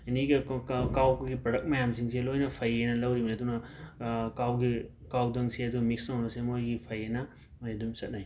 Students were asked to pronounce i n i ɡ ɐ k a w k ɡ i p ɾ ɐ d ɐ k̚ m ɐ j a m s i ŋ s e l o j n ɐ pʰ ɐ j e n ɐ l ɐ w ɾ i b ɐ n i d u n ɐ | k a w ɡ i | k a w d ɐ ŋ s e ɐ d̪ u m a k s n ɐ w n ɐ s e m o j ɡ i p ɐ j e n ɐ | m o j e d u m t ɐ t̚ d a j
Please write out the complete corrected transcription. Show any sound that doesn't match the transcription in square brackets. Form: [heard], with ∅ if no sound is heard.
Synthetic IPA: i n i ɡ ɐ k a w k ɡ i p ɾ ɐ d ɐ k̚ m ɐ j a m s i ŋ s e l o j n ɐ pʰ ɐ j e n ɐ l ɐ w ɾ i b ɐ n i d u n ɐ | k a w ɡ i | k a w d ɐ ŋ s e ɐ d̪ u m [i] k s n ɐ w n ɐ s e m o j ɡ i [pʰ] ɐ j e n ɐ | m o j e d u m [s] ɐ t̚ [n] a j